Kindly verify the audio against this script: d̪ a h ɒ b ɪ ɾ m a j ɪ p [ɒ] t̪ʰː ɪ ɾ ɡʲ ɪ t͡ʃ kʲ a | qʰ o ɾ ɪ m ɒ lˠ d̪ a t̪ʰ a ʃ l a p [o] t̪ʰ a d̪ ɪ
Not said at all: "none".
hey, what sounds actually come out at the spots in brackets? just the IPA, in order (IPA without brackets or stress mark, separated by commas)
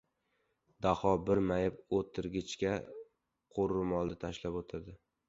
o, o